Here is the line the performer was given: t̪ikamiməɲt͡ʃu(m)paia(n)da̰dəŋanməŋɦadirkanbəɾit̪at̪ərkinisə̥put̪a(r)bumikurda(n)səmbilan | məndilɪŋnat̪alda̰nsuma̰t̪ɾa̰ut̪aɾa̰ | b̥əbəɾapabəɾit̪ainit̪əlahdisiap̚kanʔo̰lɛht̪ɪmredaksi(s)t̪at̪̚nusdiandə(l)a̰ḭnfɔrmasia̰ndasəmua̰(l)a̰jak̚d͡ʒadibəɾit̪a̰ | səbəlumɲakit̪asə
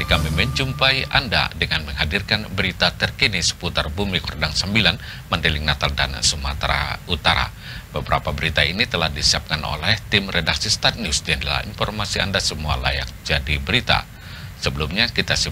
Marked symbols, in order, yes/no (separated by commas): yes, yes, yes, no, yes, yes, yes